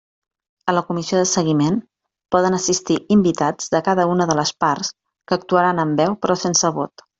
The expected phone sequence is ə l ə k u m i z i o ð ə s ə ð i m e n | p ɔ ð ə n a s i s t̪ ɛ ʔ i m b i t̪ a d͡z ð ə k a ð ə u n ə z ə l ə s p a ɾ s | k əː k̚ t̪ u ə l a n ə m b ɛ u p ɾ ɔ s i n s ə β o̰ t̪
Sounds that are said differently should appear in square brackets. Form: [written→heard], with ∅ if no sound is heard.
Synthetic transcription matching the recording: ə l ə k u m i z i o ð ə s ə [ð→ɣ] i m e n | p ɔ ð ə n [a→ə] s i s t̪ [ɛ→i] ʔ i m b i t̪ a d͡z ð ə k a ð ə u n ə [z→ð] ə l ə s p a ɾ s | k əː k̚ t̪ u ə [l→ɾ] a n ə m b ɛ [u→w] p ɾ ɔ s [i→e] n s ə β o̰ t̪